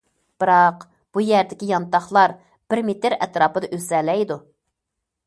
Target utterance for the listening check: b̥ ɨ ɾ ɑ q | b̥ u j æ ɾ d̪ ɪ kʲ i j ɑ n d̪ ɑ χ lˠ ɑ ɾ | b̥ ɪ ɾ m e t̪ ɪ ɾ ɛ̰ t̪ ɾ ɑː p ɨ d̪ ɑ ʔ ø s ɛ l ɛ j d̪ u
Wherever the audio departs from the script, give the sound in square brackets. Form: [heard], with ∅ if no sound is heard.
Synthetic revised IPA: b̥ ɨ ɾ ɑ q | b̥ u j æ ɾ d̪ ɪ kʲ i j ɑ n [t̪] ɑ χ lˠ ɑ ɾ | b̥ ɪ ɾ m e t̪ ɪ ɾ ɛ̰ t̪ ɾ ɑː p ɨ d̪ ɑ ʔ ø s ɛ l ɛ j d̪ u